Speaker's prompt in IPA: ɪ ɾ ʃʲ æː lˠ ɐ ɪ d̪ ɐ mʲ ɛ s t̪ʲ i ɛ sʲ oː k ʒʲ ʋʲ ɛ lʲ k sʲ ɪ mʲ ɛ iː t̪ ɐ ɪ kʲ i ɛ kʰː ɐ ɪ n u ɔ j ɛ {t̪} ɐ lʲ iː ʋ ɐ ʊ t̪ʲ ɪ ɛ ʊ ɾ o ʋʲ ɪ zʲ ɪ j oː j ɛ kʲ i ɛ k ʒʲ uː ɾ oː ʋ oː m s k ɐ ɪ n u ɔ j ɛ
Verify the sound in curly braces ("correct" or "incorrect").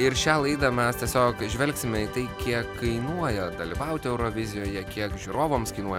incorrect